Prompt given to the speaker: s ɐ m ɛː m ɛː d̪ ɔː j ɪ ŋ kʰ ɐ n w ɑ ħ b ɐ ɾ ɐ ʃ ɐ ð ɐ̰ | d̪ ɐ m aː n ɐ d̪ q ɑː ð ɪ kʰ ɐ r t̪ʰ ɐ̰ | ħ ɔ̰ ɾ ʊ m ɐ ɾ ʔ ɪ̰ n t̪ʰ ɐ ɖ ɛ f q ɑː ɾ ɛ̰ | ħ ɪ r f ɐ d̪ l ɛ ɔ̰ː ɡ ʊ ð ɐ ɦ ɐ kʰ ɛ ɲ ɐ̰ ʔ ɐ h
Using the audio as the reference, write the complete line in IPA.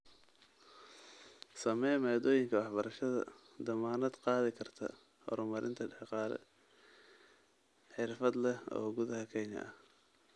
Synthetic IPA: s ɐ m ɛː m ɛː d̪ ɔː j ɪ ŋ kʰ ɐ w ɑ ħ b ɐ ɾ ɐ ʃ ɐ ð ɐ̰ | d̪ ɐ m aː n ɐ d̪ q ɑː ð ɪ kʰ ɐ r t̪ʰ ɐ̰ | h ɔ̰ ɾ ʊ m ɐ ɾ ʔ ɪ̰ n t̪ʰ ɐ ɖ ɛ ħ q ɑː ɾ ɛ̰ | ħ ɪ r f ɐ d̪ l ɛ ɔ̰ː ɡ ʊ ð ɐ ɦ ɐ kʰ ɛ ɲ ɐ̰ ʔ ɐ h

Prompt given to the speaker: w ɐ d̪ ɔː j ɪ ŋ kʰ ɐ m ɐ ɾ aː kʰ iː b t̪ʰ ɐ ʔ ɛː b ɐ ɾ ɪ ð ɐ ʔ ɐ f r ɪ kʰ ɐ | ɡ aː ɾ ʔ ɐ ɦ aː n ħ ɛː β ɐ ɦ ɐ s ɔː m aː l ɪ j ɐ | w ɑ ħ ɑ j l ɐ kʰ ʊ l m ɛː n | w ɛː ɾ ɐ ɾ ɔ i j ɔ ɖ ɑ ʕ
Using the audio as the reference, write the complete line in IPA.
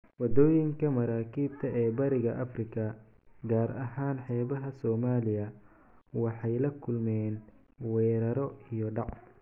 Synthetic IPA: w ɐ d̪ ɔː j ɪ ŋ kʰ ɐ m ɐ ɾ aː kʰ iː b t̪ʰ ɐ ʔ ɛː b ɐ ɾ ɪ ɣ ɐ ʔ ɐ f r ɪ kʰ ɐ | ɡ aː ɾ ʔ ɐ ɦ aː n ħ ɛː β ɐ ɦ ɐ s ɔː m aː l ɪ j ɐ | w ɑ ħ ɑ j l ɐ kʰ ʊ l m ɛː n | w ɛː ɾ ɐ ɾ ɔ i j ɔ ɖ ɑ ʕ

